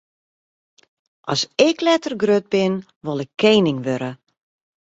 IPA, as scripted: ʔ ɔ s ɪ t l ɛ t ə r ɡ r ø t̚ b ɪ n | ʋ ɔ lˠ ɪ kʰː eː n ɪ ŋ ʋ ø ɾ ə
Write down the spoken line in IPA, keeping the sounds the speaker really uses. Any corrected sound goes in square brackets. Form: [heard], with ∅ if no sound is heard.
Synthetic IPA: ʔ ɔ s ɪ [k] l ɛ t ə r ɡ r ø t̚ b ɪ n | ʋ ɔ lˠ ɪ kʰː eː n ɪ ŋ ʋ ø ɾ ə